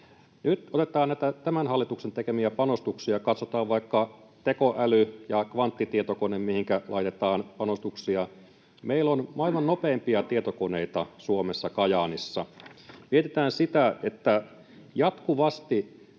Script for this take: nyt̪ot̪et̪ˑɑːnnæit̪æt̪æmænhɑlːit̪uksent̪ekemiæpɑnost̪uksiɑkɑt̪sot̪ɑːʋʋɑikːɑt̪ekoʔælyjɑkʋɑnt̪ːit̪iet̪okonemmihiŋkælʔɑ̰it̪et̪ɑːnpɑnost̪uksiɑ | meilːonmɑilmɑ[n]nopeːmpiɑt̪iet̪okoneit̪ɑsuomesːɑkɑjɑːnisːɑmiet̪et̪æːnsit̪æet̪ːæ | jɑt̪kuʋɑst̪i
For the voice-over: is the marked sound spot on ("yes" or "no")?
yes